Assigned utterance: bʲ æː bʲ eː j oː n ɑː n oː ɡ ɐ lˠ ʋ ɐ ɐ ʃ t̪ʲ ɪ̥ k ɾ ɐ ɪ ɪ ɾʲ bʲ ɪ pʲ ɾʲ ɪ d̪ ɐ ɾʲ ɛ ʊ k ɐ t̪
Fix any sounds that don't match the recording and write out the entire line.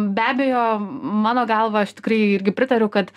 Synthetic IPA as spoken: bʲ æː bʲ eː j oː m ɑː n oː ɡ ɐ lˠ ʋ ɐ ɐ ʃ t̪ʲ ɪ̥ k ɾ ɐ ɪ ɪ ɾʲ ɡʲ ɪ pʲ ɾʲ ɪ t̪ ɐ ɾʲ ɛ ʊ k ɐ t̪